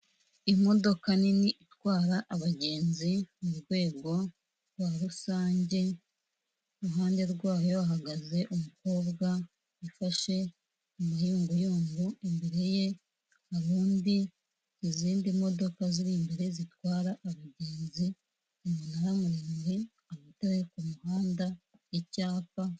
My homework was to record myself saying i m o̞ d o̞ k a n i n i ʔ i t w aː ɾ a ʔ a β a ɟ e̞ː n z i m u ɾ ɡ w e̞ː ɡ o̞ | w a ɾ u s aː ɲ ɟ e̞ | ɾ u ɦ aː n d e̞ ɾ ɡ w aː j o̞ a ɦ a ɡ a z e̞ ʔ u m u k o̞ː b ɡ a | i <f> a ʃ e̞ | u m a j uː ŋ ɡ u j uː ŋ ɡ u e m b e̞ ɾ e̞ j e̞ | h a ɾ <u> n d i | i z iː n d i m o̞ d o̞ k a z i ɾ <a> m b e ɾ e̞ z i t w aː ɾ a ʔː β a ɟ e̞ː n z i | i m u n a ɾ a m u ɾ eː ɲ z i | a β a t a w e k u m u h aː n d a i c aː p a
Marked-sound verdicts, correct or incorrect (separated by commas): correct, incorrect, incorrect